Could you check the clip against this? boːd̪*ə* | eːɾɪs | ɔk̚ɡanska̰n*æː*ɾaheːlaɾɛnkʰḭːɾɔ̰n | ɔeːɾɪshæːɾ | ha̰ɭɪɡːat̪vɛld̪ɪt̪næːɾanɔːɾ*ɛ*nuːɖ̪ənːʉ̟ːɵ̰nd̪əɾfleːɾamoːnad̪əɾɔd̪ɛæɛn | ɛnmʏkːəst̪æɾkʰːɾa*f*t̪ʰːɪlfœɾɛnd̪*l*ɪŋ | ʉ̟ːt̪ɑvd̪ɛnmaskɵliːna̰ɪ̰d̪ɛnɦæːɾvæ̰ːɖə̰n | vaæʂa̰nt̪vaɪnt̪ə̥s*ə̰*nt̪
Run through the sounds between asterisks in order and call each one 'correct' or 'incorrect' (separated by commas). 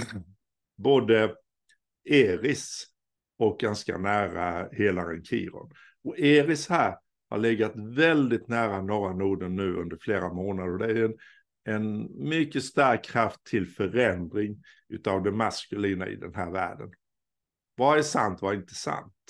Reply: correct, correct, incorrect, correct, incorrect, incorrect